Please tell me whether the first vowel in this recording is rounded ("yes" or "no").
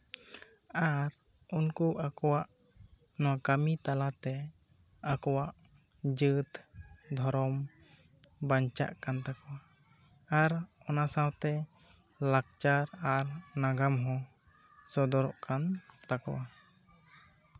no